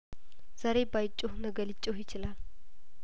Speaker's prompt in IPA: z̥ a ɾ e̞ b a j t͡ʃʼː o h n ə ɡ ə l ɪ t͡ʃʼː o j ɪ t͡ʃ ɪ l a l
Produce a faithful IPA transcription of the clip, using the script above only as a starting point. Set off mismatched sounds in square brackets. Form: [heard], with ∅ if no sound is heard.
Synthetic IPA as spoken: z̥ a ɾ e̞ b a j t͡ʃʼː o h n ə ɡ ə l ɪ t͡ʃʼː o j ɪ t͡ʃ ɪ l a l